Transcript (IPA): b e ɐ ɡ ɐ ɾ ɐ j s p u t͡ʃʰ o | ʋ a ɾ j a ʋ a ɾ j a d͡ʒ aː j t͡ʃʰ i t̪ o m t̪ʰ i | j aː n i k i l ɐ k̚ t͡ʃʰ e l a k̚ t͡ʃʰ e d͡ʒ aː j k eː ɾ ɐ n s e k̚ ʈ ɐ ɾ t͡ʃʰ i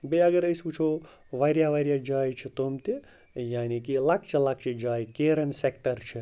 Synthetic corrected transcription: b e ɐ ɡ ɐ ɾ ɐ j s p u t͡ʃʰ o | ʋ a ɾ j a ʋ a ɾ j a d͡ʒ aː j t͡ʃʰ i t̪ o m t̪ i | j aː n i k i l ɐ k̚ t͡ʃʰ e l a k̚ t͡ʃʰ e d͡ʒ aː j k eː ɾ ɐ n s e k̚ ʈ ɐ ɾ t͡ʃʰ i